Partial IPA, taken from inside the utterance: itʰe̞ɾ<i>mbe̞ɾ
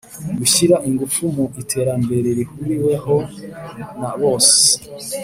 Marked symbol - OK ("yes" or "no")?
no